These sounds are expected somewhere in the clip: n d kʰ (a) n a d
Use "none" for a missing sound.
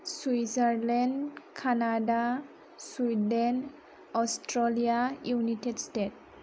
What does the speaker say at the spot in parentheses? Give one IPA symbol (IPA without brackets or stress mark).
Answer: a